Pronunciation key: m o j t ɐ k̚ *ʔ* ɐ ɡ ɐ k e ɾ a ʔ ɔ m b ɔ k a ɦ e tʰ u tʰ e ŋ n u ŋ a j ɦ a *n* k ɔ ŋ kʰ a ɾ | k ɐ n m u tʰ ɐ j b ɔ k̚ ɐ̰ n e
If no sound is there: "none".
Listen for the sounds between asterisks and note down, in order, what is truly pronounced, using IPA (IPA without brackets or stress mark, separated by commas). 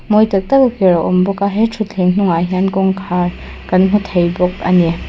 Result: t, n